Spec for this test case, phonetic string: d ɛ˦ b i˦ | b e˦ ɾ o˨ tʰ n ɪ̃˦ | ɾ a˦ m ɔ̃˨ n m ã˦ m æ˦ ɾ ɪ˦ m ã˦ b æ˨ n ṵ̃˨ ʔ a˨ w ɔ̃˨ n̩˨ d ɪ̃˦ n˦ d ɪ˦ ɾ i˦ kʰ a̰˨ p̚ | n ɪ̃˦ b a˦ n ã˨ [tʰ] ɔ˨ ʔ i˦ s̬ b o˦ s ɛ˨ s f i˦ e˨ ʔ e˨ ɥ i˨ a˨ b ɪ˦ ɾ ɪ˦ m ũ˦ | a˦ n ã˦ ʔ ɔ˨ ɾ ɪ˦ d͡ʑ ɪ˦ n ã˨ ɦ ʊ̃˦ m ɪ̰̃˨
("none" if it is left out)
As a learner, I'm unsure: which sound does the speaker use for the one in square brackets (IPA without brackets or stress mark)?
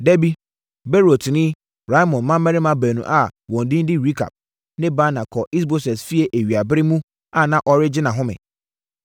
kʰ